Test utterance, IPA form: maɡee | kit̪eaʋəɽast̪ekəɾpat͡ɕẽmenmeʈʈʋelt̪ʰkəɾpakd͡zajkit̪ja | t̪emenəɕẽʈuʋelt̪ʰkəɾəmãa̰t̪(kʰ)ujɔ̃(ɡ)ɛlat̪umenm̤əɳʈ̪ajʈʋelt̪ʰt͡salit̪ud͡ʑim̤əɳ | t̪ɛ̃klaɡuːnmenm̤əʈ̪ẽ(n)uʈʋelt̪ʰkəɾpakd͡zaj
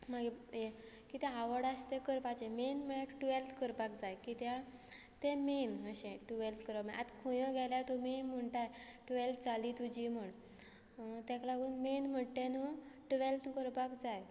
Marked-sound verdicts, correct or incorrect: correct, correct, correct

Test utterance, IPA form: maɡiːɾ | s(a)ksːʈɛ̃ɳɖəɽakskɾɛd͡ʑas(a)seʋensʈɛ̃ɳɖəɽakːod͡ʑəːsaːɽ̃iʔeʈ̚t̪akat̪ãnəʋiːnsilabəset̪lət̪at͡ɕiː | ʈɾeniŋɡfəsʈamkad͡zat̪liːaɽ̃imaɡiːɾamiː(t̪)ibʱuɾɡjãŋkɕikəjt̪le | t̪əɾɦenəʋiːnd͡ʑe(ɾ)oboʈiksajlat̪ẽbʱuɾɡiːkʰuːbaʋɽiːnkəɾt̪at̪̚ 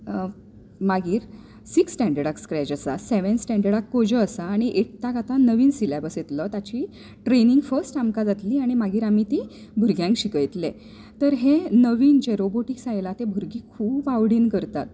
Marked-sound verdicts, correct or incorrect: incorrect, correct, correct, correct

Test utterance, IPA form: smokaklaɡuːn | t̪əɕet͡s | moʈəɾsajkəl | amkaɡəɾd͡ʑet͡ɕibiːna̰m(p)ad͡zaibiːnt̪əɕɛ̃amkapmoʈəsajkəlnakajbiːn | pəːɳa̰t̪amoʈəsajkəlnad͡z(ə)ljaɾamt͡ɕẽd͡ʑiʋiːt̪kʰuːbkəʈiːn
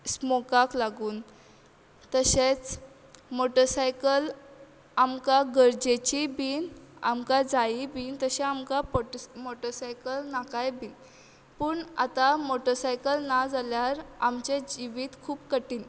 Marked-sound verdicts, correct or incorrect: incorrect, incorrect

